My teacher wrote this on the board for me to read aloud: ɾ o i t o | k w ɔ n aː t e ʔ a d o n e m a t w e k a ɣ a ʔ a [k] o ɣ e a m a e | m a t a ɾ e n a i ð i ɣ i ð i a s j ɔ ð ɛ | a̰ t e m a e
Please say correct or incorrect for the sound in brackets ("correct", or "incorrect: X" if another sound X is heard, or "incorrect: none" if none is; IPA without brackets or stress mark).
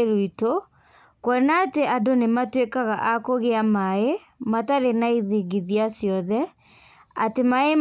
correct